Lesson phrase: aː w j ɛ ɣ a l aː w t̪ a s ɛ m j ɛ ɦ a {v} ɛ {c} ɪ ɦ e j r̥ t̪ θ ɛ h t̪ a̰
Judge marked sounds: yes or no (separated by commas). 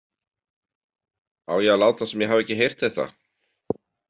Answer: yes, yes